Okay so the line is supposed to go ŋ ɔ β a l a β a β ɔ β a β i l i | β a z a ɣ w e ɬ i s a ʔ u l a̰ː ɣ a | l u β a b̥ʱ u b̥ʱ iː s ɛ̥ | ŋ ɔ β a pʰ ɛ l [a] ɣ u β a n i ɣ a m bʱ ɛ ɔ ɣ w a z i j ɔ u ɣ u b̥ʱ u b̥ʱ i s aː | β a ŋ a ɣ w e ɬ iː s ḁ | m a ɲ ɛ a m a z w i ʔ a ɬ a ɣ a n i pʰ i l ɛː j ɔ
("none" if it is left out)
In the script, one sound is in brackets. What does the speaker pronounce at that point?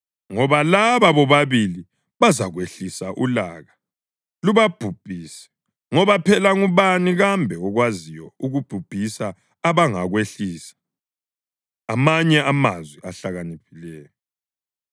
a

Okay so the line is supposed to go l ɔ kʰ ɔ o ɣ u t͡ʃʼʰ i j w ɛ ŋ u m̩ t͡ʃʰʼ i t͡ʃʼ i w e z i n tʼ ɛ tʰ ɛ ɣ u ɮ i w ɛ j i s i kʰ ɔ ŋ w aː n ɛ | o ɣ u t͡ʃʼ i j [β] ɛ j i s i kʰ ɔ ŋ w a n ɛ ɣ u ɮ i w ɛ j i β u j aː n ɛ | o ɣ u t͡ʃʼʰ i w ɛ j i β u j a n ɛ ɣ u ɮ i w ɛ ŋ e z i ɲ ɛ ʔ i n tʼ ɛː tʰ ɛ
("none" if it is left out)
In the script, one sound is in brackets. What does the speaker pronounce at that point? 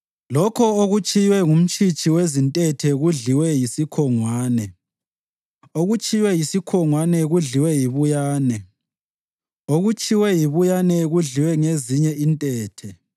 w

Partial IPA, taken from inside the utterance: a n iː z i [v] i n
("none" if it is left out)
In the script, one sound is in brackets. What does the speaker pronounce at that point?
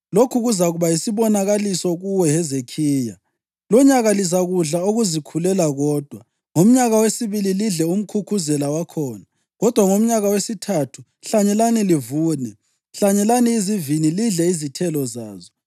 v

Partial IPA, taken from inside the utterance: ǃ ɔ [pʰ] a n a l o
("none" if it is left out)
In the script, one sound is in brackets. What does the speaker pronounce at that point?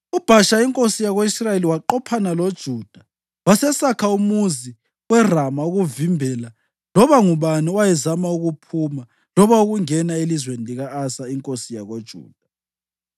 pʰ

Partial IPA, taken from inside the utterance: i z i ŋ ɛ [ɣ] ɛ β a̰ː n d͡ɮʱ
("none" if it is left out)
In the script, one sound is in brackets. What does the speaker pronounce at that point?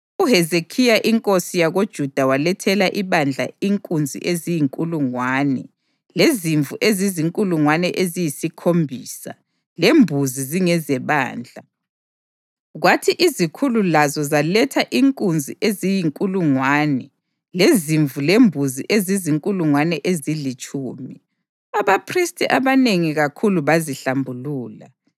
z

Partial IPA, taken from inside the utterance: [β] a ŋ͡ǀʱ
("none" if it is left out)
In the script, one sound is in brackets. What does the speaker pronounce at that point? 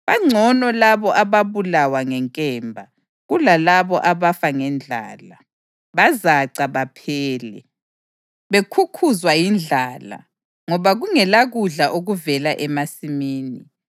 β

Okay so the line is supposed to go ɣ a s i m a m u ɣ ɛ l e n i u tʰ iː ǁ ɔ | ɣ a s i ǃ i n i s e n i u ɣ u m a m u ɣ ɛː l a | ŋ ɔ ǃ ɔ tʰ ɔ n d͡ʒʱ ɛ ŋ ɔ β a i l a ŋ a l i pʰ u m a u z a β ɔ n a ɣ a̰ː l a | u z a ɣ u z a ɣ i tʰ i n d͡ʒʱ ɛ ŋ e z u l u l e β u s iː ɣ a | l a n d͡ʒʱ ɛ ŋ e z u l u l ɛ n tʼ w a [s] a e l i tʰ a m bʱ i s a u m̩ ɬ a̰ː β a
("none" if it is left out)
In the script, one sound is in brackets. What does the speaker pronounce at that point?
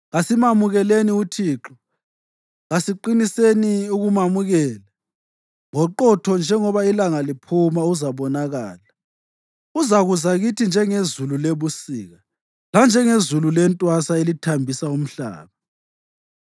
s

